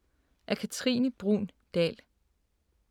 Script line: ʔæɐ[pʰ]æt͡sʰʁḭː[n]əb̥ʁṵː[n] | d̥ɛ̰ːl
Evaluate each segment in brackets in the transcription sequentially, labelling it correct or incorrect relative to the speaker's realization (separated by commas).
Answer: incorrect, correct, correct